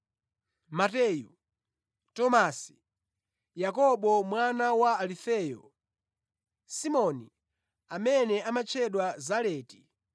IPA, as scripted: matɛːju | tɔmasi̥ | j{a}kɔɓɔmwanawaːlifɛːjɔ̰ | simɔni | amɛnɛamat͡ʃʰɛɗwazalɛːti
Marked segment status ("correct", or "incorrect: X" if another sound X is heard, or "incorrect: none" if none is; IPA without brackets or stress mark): correct